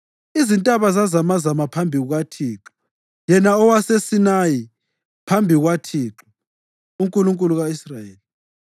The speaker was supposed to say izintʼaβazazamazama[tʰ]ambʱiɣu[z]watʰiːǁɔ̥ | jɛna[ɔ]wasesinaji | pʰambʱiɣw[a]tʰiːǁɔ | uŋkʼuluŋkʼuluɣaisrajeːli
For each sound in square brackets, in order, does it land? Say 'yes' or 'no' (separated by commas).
no, no, yes, yes